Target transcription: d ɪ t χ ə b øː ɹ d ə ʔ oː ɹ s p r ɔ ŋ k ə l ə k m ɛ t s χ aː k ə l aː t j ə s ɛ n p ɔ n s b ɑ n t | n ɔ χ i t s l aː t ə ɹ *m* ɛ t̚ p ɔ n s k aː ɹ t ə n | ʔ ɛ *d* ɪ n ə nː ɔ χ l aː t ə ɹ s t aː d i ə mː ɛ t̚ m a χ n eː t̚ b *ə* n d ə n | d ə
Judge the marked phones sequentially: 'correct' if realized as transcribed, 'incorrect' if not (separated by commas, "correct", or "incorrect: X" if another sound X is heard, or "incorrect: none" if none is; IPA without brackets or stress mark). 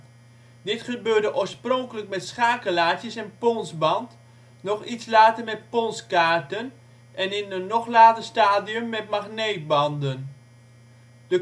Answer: correct, incorrect: n, incorrect: ɑ